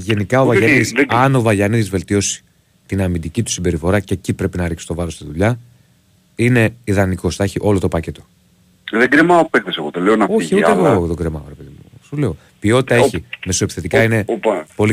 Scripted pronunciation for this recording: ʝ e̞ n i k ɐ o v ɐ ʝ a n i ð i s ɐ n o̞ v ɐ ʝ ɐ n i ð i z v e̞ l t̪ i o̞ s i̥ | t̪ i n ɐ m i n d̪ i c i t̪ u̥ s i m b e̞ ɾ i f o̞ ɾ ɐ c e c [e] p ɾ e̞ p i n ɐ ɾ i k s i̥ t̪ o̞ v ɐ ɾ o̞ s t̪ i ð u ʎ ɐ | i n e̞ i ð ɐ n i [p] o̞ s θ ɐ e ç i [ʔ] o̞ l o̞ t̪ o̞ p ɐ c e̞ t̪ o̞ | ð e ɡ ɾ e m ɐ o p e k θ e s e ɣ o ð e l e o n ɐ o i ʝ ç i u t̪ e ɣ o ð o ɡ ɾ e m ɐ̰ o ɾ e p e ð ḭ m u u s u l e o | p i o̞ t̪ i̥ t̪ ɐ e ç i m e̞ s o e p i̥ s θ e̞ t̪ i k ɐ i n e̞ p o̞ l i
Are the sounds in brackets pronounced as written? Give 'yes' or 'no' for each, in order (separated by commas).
no, no, yes